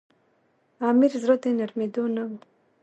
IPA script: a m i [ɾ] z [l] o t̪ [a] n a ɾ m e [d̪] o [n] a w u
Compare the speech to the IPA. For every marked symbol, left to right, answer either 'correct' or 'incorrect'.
correct, incorrect, incorrect, correct, correct

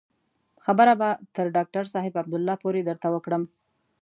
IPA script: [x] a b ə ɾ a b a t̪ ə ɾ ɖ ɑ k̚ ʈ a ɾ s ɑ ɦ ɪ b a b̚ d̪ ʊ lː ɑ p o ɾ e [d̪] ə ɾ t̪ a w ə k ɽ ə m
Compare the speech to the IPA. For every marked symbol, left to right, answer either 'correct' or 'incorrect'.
correct, correct

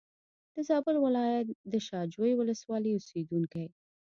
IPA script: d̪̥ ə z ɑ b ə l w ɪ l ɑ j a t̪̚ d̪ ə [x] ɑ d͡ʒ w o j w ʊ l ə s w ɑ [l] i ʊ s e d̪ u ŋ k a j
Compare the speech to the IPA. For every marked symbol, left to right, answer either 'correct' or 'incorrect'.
incorrect, correct

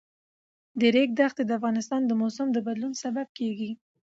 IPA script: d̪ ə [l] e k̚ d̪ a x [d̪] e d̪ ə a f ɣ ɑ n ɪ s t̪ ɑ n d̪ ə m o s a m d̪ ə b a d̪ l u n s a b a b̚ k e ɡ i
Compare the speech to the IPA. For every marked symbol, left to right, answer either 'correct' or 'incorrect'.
incorrect, incorrect

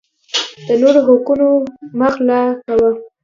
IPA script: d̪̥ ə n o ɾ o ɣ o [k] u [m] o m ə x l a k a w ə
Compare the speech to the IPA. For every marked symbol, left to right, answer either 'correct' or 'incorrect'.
correct, incorrect

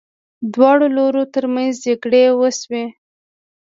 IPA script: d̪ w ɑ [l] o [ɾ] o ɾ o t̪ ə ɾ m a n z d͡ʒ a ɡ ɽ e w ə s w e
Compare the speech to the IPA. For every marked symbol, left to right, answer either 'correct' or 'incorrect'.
incorrect, incorrect

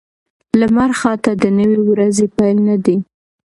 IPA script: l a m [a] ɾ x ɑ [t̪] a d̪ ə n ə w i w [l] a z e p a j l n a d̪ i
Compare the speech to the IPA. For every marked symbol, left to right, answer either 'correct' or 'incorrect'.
correct, correct, incorrect

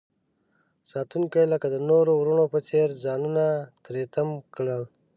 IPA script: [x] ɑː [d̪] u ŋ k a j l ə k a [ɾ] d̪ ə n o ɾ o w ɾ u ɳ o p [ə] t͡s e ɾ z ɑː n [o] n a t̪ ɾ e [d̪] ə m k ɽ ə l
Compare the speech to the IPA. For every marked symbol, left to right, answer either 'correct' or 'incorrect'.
incorrect, incorrect, incorrect, correct, incorrect, incorrect

